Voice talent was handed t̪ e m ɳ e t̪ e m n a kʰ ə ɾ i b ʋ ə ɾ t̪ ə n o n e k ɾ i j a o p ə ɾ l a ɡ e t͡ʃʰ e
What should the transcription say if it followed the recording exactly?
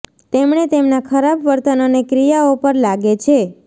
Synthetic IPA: t̪ e m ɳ e t̪ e m n a kʰ ə ɾ a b ʋ ə ɾ t̪ ə n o n e k ɾ i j a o p ə ɾ l a ɡ e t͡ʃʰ e